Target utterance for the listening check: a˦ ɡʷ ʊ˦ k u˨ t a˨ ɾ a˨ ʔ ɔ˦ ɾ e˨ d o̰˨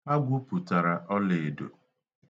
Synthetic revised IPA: a˦ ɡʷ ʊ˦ p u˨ t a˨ ɾ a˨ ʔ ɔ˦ l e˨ d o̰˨